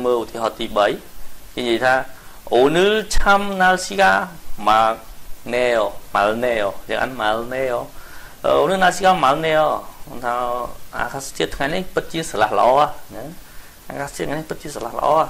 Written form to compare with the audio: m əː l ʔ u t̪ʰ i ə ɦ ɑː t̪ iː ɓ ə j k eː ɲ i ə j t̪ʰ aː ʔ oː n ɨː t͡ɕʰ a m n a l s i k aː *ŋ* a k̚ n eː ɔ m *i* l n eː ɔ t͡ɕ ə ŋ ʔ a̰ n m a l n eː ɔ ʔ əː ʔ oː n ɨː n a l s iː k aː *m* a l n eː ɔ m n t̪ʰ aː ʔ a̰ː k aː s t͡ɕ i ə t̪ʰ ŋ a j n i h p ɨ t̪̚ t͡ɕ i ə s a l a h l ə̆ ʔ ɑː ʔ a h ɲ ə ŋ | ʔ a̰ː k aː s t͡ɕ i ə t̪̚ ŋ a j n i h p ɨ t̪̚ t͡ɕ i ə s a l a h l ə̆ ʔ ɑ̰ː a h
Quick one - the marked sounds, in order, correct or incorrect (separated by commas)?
incorrect, incorrect, correct